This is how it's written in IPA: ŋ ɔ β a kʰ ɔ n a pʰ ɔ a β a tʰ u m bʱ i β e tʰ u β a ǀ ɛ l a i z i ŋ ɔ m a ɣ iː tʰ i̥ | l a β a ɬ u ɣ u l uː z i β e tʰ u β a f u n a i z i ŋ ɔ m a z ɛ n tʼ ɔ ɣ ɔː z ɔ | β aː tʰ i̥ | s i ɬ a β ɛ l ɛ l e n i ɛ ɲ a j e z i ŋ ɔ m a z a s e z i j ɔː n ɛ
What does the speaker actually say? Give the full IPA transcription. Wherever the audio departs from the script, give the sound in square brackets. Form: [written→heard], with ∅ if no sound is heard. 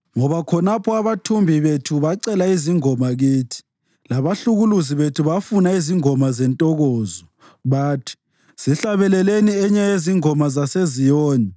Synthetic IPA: ŋ ɔ β a kʰ ɔ n a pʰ ɔ a β a tʰ u m bʱ i β e tʰ u β a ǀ ɛ l a i z i ŋ ɔ m a ɣ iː tʰ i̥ | l a β a ɬ u ɣ u l [uː→u] z i β e tʰ u β a f u n a i z i ŋ ɔ m a z ɛ n tʼ ɔ ɣ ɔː z ɔ | β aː tʰ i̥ | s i ɬ a β ɛ l ɛ l e n i ɛ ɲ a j e z i ŋ ɔ m a z a s e z i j ɔː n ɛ